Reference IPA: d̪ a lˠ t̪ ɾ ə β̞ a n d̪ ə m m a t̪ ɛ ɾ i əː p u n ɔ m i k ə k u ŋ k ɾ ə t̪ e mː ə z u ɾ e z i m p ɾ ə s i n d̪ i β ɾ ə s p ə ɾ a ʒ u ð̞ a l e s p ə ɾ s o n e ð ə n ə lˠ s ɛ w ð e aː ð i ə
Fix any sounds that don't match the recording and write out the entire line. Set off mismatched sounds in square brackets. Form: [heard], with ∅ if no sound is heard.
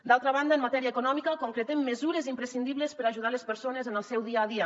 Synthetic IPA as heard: d̪ a lˠ t̪ ɾ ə β̞ a n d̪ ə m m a t̪ ɛ ɾ i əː [k] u n ɔ m i k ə k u ŋ k ɾ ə t̪ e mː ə z u ɾ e z i m p ɾ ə s i n d̪ i β [l] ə s p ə ɾ a ʒ u ð̞ a l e s p ə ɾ s o n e [z] ə n ə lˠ s ɛ w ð [i] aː ð i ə

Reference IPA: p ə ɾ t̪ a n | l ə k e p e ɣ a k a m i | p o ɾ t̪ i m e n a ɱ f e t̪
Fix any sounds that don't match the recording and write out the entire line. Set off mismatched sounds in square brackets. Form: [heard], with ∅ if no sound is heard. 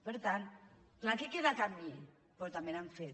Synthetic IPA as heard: p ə ɾ t̪ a n | l [a] k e [k] e [ð] a k a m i | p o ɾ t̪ [a] m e n a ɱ f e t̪

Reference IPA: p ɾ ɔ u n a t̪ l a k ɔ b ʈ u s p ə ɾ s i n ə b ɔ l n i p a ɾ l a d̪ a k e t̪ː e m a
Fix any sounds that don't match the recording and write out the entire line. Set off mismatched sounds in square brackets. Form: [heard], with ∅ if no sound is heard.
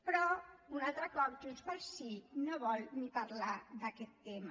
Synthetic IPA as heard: p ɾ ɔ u n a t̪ [ɾ] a k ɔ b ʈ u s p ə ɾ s i n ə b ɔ l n i p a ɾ l a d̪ a k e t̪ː e m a

